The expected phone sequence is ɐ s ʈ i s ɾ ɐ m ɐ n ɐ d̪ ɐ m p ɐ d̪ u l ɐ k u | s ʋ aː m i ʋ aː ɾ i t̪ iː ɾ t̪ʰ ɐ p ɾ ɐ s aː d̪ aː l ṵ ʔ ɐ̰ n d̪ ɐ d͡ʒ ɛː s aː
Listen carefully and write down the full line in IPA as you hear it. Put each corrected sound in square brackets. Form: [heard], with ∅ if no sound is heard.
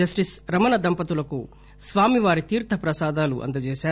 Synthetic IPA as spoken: ɐ s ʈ i s ɾ ɐ m ɐ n ɐ d̪ ɐ m p ɐ [t̪] u l ɐ k u | s ʋ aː m i ʋ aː ɾ i t̪ iː ɾ t̪ʰ ɐ p ɾ ɐ s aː d̪ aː l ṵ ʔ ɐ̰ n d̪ ɐ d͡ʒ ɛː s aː